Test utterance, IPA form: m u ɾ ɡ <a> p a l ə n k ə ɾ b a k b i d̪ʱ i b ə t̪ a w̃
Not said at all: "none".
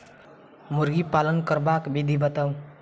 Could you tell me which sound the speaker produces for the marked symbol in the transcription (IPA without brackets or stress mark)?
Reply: i